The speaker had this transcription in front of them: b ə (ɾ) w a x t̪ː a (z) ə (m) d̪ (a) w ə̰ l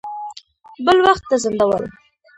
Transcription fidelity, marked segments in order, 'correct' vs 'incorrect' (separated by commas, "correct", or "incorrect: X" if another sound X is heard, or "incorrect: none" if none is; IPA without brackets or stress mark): incorrect: l, correct, incorrect: n, correct